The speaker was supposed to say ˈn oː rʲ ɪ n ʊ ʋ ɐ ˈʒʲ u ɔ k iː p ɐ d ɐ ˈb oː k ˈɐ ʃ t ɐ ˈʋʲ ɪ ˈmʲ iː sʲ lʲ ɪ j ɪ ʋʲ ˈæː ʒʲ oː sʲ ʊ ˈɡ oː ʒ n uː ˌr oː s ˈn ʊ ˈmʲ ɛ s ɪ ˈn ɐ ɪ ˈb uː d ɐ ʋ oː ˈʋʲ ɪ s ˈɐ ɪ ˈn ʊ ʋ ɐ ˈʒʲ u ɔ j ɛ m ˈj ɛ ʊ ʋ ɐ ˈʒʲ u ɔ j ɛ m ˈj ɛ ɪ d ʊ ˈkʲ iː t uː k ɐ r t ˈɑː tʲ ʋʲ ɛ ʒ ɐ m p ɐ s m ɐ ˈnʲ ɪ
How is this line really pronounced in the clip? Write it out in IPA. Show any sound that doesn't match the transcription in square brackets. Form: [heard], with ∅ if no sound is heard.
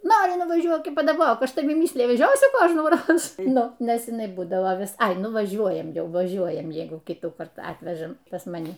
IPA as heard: ˈn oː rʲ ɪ n ʊ ʋ ɐ ˈʒʲ u ɔ k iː p ɐ d ɐ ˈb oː k ˈɐ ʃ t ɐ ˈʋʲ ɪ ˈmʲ iː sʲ lʲ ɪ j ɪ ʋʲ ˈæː ʒʲ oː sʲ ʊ [ˈk] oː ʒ n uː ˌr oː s ˈn ʊ [ˈnʲ] ɛ s ɪ ˈn ɐ ɪ ˈb uː d ɐ ʋ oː ˈʋʲ ɪ s ˈɐ ɪ ˈn ʊ ʋ ɐ ˈʒʲ u ɔ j ɛ m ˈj ɛ ʊ ʋ ɐ ˈʒʲ u ɔ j ɛ m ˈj ɛ ɪ [ɡ] ʊ ˈkʲ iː t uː k ɐ r t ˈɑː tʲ ʋʲ ɛ ʒ ɐ m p ɐ s m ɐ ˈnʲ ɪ